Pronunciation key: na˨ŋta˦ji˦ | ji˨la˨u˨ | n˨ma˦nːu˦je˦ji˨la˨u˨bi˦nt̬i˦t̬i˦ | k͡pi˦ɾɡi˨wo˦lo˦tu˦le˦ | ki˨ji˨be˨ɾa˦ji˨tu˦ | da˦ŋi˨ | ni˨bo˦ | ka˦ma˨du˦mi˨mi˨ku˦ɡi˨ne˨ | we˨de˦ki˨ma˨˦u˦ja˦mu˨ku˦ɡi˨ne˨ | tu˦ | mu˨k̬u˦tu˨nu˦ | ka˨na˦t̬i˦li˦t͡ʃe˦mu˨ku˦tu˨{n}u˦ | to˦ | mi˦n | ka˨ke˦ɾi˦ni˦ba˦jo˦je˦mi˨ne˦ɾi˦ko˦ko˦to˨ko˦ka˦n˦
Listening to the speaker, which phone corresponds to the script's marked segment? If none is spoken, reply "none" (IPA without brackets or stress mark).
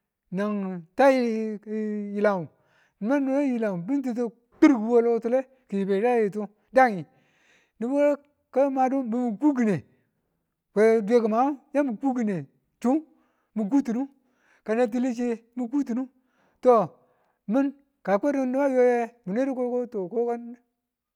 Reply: n